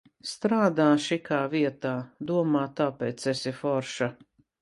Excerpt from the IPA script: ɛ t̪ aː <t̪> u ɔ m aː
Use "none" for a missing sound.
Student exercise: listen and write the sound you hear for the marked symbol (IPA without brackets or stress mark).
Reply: d̪